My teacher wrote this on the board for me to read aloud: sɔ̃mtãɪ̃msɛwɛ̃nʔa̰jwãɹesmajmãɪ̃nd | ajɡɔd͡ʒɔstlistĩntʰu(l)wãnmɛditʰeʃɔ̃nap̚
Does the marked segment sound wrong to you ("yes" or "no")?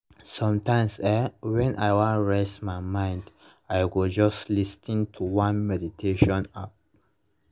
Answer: yes